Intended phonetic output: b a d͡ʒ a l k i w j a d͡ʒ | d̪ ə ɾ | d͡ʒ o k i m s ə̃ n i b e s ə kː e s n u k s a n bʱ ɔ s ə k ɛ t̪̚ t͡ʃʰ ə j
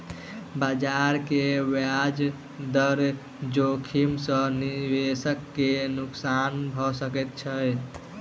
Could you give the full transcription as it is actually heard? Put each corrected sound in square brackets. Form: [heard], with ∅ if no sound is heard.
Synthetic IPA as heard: b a d͡ʒ a [ɾ] k [e] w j a d͡ʒ | d̪ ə ɾ | d͡ʒ o [kʰ] i m s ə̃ n i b e s ə kː e [∅] n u k s a n bʱ ɔ s ə k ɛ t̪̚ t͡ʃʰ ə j